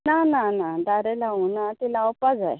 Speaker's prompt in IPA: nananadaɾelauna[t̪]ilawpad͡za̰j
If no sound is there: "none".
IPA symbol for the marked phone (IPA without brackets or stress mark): t̪